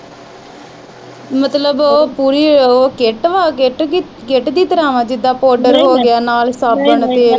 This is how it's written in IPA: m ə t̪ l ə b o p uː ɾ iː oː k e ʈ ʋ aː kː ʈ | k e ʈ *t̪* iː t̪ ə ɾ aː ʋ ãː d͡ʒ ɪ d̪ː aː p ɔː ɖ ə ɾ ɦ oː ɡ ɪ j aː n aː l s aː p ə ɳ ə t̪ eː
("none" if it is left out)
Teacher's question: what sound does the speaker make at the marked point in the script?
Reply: d̪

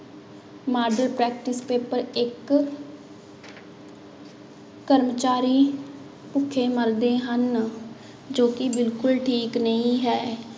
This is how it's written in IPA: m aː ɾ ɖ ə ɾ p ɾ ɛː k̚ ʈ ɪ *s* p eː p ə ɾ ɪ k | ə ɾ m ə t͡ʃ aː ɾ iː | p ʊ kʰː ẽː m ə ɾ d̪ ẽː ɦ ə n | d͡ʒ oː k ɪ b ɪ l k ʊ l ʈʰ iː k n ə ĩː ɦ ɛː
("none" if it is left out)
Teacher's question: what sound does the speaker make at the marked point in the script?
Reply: s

